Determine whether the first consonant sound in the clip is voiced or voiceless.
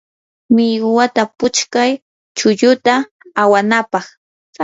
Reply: voiced